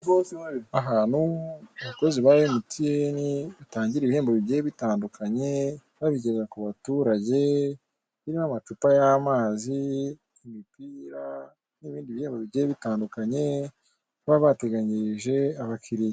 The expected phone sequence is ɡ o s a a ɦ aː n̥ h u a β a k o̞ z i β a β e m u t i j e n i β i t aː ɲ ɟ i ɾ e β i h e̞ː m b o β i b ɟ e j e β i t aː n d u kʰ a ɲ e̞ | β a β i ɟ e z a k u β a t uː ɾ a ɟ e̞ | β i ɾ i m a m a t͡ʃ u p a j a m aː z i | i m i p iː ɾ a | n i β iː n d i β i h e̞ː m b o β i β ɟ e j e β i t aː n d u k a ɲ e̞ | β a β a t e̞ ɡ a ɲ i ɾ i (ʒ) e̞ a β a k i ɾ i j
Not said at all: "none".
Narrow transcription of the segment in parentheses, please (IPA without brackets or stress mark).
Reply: ʒ